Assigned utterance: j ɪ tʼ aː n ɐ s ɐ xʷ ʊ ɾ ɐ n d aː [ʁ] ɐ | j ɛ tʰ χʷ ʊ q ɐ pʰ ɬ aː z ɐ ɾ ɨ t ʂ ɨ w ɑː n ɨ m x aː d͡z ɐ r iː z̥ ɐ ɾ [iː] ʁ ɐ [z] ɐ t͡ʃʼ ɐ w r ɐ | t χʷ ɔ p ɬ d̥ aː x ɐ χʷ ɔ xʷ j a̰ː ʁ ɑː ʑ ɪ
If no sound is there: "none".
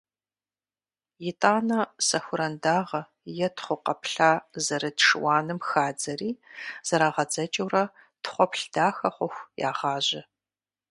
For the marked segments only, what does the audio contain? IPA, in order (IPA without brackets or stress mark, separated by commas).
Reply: ʁ, aː, d͡z